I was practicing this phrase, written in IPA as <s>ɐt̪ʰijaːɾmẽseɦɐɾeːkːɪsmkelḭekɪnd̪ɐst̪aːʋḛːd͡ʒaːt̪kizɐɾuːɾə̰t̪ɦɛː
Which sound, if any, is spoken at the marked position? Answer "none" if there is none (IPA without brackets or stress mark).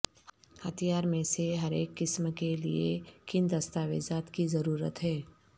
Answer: h